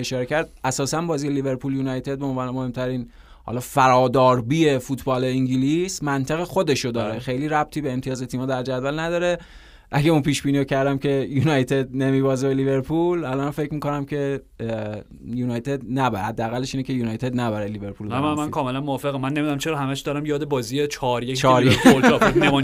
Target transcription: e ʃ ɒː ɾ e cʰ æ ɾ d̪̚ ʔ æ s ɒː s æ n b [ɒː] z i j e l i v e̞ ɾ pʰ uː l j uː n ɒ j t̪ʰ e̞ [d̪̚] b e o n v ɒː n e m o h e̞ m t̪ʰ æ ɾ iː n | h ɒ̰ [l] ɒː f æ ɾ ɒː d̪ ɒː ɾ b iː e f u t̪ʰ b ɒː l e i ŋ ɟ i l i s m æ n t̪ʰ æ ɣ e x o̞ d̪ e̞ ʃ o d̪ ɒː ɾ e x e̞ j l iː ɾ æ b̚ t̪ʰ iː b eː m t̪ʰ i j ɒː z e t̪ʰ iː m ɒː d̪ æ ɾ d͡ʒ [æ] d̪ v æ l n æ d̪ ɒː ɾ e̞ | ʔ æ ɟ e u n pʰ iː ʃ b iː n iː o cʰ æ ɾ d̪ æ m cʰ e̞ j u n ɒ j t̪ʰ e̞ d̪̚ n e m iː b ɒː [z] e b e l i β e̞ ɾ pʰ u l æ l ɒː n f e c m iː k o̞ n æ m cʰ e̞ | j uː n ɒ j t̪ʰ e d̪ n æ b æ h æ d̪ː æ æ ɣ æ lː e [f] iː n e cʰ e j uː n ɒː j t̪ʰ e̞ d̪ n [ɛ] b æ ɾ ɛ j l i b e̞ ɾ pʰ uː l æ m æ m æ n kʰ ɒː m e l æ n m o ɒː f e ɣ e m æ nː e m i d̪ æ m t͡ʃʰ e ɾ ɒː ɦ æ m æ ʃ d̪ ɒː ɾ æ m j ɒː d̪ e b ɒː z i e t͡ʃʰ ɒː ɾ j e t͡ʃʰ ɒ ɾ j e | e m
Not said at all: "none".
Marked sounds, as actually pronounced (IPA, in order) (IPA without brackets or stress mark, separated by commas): ɒː, d̪̚, l, æ, z, ʃ, æ